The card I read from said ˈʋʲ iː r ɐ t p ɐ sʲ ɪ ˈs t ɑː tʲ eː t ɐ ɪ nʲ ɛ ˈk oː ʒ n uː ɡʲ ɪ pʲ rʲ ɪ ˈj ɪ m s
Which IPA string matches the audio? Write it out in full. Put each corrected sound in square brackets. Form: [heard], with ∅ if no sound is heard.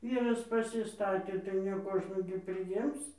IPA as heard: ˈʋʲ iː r ɐ [s] p ɐ sʲ ɪ ˈs t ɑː tʲ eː t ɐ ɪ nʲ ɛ ˈk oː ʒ n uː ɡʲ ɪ pʲ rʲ ɪ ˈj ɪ m s